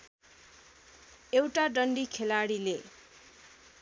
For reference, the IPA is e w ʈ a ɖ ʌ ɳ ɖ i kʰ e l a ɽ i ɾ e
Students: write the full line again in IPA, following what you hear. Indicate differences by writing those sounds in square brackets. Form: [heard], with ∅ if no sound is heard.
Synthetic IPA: e w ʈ a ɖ ʌ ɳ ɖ i kʰ e l a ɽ i [l] e